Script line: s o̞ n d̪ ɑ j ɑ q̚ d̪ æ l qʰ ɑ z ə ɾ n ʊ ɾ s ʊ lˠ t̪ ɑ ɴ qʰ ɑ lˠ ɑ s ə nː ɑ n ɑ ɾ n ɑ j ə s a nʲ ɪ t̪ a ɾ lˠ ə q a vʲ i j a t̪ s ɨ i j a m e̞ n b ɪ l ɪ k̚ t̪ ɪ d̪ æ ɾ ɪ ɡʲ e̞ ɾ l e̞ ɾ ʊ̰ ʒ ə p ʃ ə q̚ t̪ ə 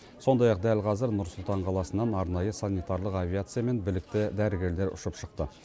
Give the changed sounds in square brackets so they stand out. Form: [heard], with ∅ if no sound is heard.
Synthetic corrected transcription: s o̞ n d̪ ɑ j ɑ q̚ d̪ æ l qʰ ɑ z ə ɾ n ʊ ɾ s ʊ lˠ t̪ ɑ ɴ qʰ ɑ lˠ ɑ s ə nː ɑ n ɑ ɾ n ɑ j ə s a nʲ [i] t̪ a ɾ lˠ ə q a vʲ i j a t̪ s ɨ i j a m e̞ n b ɪ l ɪ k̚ t̪ ɪ d̪ æ ɾ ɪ ɡʲ e̞ ɾ l e̞ ɾ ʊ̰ [ʃ] ə p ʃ ə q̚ t̪ ə